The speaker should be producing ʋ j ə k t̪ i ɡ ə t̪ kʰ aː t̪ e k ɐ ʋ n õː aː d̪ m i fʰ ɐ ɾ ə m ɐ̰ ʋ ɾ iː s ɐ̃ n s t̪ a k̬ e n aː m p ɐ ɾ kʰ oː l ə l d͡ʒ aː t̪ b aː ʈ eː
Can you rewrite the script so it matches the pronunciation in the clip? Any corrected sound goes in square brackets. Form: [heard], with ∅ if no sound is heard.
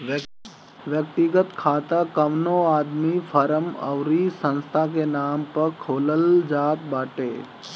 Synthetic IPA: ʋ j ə k t̪ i ɡ ə t̪ kʰ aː t̪ [a] k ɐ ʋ n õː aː d̪ m i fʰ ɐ ɾ ə m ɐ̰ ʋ ɾ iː s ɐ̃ n s [t̪ʰ] a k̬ e n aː m p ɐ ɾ kʰ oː l ə l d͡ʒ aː t̪ b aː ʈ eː